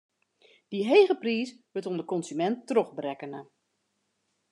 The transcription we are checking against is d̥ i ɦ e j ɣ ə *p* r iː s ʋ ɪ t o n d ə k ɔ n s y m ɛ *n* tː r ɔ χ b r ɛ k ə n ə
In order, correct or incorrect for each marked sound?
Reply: correct, correct

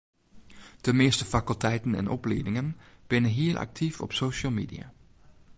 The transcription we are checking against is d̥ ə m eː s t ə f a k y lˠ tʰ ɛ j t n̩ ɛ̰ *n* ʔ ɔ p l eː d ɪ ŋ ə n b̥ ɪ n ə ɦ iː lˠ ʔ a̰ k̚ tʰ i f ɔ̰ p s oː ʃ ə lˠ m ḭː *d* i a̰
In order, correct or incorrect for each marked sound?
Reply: correct, correct

